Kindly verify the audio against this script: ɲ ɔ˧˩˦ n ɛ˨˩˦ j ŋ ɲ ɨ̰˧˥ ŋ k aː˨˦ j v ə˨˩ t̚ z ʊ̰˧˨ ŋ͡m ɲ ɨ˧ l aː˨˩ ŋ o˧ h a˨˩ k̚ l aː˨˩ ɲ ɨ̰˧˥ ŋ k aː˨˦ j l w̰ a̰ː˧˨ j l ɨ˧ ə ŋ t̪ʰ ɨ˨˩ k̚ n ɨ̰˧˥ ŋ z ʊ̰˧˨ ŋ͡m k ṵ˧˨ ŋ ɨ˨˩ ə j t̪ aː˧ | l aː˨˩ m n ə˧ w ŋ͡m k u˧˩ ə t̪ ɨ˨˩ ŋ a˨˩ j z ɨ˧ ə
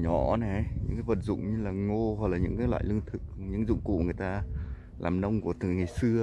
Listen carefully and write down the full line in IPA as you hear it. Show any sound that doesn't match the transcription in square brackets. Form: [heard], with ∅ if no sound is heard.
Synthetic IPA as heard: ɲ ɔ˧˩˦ n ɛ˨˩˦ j [ɲ] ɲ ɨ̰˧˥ ŋ k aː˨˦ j v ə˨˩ t̚ z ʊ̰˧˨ ŋ͡m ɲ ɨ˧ l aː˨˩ ŋ o˧ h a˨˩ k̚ l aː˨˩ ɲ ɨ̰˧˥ ŋ k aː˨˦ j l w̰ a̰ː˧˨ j l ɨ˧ ə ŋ t̪ʰ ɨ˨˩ k̚ [ɲ] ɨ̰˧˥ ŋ z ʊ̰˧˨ ŋ͡m k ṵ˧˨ ŋ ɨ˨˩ ə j t̪ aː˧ | l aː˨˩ m n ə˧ w ŋ͡m k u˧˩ ə t̪ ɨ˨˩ ŋ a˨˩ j [s] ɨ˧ ə